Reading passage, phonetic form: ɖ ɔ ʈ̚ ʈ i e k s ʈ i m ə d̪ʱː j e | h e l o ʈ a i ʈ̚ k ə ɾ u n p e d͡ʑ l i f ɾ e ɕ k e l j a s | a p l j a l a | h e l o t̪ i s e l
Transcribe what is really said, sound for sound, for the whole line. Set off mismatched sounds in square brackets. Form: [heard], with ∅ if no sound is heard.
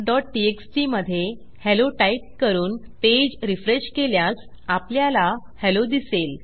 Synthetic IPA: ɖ ɔ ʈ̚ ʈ i e k s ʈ i m ə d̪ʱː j e | h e l o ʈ a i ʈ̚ k ə ɾ [uː] n p e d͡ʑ [ɾ] i f ɾ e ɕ k e l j a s | a p l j a l a | h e l o [d̪] i s e l